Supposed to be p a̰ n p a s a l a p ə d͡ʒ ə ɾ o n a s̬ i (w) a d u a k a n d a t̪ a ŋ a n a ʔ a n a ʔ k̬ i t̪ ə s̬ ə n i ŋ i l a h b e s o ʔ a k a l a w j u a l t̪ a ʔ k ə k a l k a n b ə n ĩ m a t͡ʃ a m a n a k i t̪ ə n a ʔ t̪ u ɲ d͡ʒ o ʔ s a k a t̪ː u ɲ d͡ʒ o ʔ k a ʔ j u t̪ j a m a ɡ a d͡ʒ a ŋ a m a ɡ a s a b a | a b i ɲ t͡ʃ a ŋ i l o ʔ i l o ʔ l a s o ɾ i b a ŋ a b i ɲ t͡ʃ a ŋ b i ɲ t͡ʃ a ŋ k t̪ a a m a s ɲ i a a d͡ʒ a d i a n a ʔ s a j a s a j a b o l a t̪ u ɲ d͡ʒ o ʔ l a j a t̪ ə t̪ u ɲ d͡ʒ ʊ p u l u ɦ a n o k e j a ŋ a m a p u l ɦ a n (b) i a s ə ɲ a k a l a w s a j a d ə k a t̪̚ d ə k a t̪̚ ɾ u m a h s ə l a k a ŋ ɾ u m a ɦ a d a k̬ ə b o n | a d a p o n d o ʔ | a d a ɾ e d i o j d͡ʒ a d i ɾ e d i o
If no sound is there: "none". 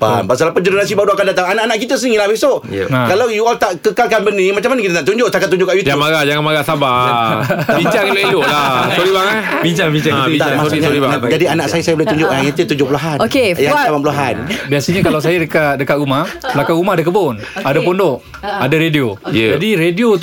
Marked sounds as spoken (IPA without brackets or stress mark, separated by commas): b, b